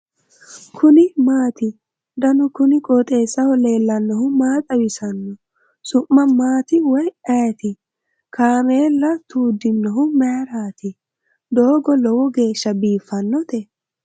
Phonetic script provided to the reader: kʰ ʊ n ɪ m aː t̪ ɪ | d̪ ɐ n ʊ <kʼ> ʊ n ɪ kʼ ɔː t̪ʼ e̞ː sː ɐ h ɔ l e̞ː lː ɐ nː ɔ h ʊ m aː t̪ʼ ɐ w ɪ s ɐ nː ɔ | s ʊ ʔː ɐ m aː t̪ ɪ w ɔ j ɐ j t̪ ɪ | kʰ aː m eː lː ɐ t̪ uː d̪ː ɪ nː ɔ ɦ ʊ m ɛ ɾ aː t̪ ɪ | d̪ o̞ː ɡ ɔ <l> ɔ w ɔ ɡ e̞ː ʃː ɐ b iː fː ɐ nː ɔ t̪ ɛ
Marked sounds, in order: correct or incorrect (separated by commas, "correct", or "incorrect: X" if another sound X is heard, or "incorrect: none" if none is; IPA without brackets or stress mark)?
incorrect: k, correct